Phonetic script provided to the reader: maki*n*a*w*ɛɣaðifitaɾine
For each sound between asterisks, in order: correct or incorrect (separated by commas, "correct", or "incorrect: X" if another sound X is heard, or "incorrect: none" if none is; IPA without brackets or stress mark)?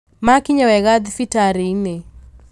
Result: incorrect: ɲ, correct